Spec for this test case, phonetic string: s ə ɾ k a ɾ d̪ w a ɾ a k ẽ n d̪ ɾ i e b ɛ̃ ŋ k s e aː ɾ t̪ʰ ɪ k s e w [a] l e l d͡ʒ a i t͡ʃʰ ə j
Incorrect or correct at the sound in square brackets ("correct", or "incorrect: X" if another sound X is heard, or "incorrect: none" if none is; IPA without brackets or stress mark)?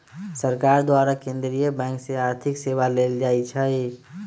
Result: correct